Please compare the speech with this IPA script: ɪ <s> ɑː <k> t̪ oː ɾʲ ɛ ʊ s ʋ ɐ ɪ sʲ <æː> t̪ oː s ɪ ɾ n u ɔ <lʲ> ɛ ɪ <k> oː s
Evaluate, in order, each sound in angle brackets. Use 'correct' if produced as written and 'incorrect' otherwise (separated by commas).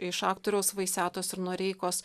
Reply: incorrect, correct, correct, incorrect, correct